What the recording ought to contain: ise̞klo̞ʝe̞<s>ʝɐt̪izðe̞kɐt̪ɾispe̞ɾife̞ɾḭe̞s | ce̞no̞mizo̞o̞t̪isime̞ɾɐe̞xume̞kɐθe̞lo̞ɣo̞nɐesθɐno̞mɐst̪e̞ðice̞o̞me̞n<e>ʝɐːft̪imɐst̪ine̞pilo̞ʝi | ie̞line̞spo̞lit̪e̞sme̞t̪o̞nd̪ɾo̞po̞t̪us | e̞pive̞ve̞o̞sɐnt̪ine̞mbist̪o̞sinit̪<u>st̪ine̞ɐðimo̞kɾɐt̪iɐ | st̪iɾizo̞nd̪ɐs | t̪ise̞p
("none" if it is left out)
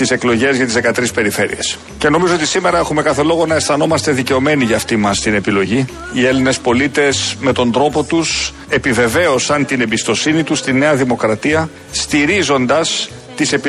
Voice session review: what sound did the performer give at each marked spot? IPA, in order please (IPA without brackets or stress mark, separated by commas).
z, i, u